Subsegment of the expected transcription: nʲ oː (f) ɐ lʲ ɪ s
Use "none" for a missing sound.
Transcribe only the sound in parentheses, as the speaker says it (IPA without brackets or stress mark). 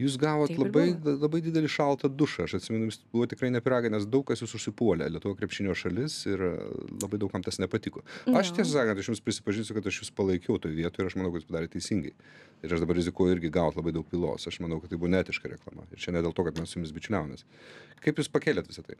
ʃ